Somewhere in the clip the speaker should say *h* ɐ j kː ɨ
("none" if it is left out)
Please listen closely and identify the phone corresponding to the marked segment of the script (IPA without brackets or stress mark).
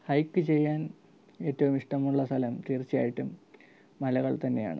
h